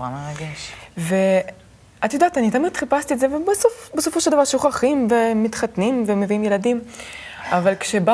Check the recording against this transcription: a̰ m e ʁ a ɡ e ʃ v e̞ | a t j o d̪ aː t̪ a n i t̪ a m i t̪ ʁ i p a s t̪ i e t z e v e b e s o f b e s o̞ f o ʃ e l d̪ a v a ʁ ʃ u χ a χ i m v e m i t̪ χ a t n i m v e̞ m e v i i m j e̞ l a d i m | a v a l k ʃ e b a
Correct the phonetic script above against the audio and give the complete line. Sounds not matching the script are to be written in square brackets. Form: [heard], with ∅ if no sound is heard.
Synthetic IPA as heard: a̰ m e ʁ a ɡ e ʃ v e̞ | a t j o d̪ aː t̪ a n i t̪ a m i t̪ [χ] i p a s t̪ i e t z e v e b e s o f b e s o̞ f o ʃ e l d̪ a v a ʁ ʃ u χ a χ i m v e m i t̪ χ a t n i m v e̞ m e v i i m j e̞ l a d i m | a v a l k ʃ e b a